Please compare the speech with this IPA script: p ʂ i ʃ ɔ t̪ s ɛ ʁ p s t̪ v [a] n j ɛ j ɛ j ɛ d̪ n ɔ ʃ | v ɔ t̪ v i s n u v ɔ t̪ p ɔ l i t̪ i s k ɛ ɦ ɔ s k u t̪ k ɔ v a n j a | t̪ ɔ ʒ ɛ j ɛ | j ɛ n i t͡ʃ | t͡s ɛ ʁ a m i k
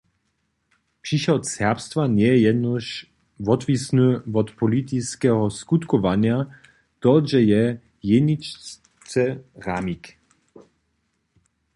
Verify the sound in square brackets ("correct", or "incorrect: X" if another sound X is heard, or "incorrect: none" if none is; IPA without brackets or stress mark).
correct